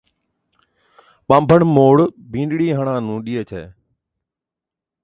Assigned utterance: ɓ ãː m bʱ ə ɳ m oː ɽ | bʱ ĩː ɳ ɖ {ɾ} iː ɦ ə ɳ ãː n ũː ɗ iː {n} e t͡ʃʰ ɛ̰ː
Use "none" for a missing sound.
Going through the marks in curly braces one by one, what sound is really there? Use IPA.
ɽ, none

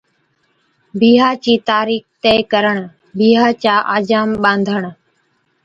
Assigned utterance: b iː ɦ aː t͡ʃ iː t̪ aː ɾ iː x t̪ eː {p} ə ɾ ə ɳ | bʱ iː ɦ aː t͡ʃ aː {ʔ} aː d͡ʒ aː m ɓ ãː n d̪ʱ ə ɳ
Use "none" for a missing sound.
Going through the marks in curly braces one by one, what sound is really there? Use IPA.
k, ʔ

